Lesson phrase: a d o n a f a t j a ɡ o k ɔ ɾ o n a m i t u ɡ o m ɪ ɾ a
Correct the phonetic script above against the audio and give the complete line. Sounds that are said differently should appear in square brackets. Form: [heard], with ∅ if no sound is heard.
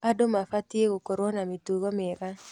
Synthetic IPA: a d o [m] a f a t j [e] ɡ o k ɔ ɾ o n a m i t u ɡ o m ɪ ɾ a